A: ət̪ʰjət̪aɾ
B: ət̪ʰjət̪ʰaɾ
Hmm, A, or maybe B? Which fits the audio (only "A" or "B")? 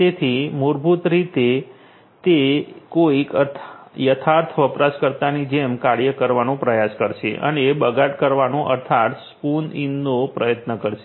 B